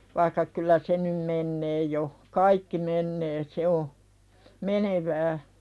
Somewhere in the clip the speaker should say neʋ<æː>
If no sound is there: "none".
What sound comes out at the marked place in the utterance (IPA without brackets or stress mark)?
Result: æː